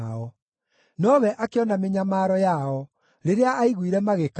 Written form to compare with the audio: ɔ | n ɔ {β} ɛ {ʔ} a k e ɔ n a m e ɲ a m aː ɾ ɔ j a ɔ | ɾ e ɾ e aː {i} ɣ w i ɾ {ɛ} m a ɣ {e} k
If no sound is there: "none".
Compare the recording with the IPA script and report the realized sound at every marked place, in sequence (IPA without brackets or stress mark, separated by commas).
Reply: β, ʔ, i, ɛ, e